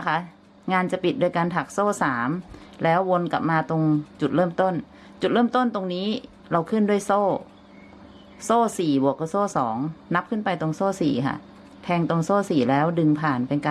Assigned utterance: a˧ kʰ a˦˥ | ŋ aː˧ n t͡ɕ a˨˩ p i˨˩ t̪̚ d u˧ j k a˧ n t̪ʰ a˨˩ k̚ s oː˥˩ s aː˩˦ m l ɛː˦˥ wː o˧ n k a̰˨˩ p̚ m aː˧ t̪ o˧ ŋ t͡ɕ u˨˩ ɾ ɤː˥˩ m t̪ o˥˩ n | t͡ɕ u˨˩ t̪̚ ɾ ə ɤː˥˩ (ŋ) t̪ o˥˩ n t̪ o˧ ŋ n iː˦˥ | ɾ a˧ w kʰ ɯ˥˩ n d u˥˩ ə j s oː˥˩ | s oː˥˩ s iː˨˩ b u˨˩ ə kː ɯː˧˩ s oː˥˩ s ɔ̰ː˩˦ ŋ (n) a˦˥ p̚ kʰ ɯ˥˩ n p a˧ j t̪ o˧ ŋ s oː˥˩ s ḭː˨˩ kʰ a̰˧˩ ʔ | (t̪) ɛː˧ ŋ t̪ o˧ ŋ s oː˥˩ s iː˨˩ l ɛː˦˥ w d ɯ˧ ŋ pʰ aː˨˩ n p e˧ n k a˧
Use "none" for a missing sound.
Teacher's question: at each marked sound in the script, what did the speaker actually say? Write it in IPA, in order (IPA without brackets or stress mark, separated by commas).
m, n, t̪ʰ